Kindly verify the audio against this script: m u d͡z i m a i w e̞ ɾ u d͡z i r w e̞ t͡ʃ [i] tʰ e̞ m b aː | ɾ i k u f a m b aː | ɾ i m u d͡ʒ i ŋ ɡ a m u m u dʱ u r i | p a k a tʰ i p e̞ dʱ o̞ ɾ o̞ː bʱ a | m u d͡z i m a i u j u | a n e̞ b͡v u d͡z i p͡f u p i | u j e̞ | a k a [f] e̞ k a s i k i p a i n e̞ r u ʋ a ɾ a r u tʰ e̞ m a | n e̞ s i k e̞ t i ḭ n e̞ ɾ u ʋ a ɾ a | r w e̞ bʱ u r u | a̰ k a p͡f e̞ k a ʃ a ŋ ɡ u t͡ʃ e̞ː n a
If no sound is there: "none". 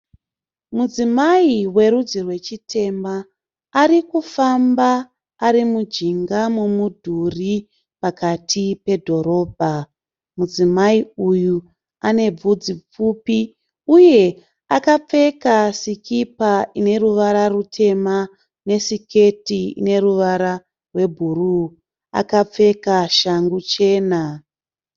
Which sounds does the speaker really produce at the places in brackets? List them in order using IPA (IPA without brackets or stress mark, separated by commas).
i, p͡f